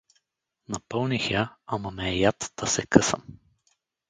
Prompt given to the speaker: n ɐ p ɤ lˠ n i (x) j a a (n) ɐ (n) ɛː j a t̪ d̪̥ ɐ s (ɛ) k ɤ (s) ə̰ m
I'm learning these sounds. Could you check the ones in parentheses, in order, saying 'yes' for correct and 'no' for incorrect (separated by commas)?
yes, no, no, yes, yes